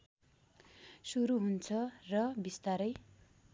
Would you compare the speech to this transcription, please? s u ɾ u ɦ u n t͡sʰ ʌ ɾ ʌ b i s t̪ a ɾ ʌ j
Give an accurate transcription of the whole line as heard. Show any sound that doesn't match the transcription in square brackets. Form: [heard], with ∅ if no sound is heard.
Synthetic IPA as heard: s u ɾ u ɦ u n t͡sʰ ʌ [r] ʌ b i s t̪ a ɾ ʌ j

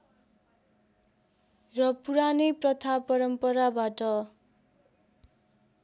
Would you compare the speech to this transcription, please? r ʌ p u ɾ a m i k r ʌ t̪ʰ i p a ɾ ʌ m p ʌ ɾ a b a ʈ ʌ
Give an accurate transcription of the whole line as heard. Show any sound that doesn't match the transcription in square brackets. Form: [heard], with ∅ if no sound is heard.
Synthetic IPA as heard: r ʌ p u ɾ a [n] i [p] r ʌ t̪ʰ [a] p [ʌ] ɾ ʌ m p ʌ ɾ a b a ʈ ʌ

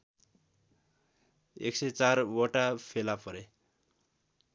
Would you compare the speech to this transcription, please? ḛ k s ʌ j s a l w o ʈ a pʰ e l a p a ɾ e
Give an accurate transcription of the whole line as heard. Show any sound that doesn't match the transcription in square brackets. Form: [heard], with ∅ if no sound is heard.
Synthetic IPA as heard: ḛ k s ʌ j [t͡s] a [r] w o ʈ a pʰ e l a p [ʌ] ɾ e

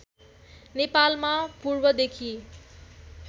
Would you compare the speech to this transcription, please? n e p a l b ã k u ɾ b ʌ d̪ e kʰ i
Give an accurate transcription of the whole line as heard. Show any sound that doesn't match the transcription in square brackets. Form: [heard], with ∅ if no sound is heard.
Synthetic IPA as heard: n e p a l [m] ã [p] u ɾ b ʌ d̪ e kʰ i

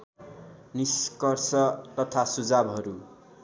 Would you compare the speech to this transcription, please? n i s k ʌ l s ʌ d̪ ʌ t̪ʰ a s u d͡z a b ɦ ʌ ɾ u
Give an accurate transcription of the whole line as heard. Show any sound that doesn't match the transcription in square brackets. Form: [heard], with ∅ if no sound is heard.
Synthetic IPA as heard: n i s k ʌ [r] s ʌ [t̪] ʌ t̪ʰ a s u d͡z a b ɦ ʌ ɾ u

